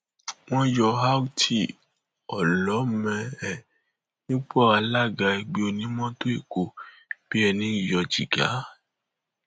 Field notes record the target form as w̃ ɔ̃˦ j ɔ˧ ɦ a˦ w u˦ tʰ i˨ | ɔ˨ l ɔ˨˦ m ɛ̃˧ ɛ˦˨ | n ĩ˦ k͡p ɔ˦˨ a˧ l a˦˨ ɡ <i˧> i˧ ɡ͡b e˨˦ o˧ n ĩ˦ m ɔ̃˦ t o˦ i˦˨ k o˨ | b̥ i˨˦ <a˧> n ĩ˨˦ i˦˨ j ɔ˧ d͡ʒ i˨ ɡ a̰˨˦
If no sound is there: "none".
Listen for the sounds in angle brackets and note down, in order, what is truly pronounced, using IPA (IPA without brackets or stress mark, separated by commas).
a˧, ɛ˧